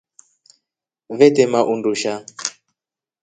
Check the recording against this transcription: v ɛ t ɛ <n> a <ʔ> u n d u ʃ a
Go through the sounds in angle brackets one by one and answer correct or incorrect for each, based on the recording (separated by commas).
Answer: incorrect, correct